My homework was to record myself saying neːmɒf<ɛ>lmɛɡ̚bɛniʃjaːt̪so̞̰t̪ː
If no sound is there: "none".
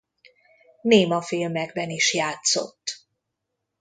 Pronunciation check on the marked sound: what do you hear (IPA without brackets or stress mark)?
i